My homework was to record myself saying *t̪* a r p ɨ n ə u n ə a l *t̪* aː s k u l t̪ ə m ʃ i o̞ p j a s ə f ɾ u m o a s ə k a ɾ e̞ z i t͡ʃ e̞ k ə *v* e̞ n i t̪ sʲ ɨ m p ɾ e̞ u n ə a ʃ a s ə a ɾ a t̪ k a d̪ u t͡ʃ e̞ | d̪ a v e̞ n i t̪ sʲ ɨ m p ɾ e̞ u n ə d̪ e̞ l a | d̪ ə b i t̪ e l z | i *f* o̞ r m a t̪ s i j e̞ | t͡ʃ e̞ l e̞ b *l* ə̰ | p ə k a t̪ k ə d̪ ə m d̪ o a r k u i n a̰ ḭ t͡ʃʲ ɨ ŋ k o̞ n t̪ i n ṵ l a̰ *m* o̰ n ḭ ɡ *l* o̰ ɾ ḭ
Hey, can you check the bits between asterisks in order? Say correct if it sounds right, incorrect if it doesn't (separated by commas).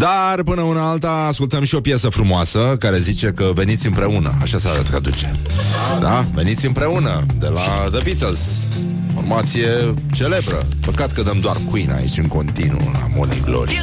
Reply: incorrect, correct, correct, correct, incorrect, correct, correct